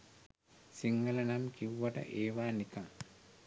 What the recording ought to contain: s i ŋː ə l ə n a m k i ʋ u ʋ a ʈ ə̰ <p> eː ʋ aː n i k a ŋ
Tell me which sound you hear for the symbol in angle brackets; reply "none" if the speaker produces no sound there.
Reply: ʔ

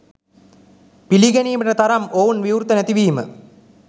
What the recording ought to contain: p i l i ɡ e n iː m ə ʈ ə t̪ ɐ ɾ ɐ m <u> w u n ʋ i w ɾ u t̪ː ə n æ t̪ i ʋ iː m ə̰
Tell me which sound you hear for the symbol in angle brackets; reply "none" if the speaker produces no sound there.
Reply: o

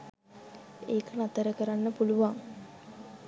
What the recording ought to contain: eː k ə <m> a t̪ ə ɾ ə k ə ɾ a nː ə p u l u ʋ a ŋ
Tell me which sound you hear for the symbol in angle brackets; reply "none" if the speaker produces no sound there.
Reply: n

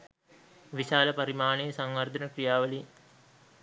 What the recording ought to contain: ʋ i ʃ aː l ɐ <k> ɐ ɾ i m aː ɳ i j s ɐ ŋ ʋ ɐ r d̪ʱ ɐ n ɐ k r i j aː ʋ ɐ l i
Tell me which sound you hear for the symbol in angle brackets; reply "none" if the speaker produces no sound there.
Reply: p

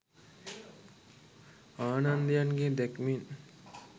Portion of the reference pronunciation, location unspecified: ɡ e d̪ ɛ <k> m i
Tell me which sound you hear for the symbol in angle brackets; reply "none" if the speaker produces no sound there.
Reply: k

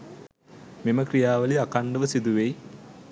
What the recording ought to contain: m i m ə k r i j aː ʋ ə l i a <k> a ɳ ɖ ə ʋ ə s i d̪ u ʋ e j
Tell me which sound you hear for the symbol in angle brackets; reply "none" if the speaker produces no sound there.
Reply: k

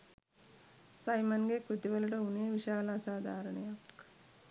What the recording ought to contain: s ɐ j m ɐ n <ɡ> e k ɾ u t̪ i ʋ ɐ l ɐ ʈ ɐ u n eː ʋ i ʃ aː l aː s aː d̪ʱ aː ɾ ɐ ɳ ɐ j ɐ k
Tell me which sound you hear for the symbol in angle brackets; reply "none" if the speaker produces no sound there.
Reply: ɡ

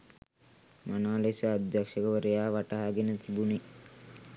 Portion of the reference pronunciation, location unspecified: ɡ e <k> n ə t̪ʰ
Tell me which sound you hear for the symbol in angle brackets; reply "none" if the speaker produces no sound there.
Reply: none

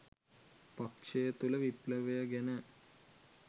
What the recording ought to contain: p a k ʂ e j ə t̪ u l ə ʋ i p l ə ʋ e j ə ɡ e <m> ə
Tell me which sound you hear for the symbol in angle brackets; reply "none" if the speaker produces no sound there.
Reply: n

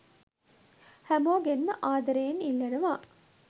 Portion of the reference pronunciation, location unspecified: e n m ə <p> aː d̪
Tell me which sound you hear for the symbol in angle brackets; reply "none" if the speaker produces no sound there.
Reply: ʔ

